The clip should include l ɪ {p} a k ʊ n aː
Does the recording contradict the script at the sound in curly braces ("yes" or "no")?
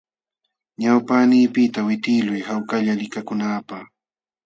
yes